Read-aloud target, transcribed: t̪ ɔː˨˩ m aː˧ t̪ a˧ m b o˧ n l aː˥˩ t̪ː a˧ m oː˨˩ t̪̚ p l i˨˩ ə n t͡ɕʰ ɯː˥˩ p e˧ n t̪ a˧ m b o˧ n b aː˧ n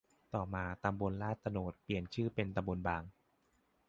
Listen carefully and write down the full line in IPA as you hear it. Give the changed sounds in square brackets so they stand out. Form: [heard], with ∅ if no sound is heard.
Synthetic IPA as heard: t̪ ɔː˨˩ m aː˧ t̪ a˧ m b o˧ n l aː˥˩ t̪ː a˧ [n] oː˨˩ t̪̚ p l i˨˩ ə n t͡ɕʰ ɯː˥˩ p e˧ n t̪ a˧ m b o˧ n b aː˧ [ŋ]